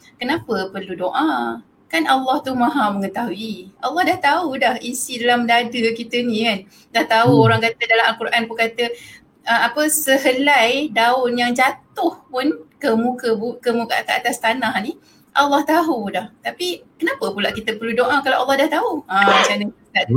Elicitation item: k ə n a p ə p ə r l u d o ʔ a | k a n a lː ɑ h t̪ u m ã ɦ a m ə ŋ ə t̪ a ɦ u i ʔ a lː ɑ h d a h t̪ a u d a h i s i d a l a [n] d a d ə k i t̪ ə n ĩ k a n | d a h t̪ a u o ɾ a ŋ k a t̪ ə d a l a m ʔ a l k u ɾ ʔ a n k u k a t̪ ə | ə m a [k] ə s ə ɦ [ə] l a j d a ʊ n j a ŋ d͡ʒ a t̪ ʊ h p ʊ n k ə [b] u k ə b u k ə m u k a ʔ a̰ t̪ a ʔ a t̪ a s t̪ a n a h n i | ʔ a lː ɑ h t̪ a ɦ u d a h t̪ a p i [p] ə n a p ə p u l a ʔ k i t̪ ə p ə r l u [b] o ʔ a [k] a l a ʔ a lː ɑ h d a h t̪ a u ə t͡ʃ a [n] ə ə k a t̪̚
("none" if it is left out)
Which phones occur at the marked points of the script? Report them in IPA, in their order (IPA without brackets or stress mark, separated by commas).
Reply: m, p, ə, m, k, d, k, n